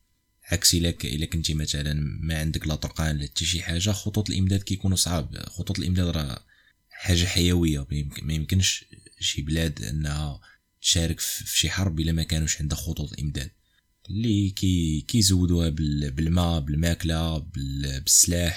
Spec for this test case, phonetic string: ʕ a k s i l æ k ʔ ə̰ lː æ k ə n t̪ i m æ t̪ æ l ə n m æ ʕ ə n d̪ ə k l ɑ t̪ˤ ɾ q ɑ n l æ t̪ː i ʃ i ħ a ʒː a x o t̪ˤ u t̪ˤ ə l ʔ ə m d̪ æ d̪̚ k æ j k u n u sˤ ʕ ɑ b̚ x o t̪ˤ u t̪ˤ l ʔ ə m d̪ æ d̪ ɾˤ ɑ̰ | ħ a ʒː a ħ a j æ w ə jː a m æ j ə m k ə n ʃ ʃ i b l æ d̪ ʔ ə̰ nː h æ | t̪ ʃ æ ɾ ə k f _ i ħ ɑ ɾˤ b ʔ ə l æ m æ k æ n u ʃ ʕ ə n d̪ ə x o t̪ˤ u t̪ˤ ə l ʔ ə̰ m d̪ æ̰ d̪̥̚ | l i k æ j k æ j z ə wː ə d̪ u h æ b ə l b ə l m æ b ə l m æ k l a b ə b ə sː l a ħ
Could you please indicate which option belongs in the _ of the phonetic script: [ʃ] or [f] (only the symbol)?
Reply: ʃ